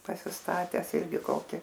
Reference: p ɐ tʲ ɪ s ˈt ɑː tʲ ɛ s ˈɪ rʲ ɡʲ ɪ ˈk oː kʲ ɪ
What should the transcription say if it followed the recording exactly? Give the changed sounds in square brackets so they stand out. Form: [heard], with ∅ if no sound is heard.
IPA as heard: p ɐ [sʲ] ɪ s ˈt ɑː tʲ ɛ s ˈɪ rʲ ɡʲ ɪ ˈk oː kʲ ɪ